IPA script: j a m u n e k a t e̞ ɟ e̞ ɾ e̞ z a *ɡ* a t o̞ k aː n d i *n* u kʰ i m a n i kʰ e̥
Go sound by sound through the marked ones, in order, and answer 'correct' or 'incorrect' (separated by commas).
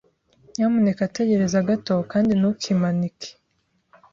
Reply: correct, correct